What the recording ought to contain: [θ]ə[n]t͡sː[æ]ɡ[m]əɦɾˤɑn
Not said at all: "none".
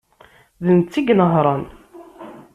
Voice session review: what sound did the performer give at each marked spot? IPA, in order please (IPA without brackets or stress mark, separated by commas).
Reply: ð, n, i, n